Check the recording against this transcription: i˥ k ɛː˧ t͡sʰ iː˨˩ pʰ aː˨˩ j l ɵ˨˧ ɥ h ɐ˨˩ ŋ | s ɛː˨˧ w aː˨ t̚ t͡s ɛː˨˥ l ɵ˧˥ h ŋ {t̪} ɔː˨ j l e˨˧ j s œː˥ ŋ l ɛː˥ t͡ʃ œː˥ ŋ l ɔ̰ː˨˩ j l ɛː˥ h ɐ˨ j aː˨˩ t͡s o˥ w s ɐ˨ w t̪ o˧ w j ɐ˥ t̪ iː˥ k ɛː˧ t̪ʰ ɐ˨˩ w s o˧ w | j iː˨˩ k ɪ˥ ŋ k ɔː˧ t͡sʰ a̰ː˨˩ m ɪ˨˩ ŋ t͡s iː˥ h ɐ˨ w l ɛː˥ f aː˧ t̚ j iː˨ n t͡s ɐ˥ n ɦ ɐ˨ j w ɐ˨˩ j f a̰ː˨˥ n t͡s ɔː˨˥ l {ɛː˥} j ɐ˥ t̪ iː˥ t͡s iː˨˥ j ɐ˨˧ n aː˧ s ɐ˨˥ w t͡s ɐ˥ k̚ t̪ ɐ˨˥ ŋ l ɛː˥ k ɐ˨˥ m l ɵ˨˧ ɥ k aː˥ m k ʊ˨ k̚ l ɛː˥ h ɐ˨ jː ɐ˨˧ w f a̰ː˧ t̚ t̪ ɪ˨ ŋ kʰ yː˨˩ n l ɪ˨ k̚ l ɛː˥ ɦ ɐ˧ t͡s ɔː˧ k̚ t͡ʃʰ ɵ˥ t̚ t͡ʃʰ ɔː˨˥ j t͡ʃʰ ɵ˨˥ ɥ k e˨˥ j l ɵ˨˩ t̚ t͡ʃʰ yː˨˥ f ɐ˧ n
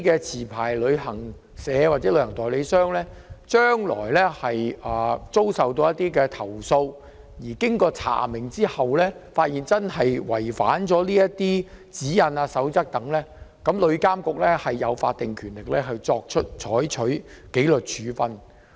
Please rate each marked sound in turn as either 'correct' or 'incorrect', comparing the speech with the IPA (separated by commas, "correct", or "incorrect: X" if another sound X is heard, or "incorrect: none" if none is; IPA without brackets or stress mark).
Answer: correct, incorrect: iː˥